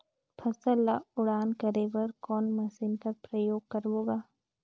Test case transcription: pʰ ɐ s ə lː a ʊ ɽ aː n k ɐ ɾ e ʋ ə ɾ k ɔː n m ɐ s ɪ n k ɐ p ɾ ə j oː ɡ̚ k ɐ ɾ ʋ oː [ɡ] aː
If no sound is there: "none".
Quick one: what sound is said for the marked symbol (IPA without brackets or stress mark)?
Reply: ɡ